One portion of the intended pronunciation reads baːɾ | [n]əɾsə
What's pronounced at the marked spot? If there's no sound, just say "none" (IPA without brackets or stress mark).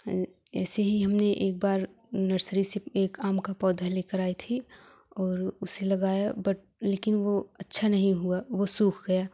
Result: n